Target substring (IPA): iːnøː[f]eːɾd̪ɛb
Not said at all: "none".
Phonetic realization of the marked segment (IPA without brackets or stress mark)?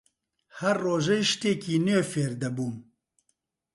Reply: f